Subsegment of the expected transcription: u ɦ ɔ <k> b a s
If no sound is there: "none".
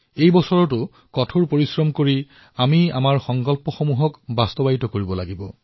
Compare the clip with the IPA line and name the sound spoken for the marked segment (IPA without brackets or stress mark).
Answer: k